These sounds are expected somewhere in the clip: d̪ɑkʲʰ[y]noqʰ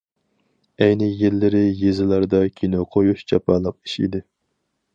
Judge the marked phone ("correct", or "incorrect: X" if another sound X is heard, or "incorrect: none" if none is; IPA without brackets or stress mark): incorrect: i